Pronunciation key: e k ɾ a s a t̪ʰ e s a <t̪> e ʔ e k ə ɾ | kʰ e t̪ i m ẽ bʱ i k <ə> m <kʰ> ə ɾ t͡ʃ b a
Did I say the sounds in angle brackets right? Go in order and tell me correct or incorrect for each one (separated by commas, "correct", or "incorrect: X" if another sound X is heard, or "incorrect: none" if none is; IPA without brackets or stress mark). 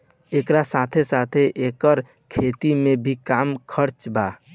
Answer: incorrect: t̪ʰ, incorrect: a, correct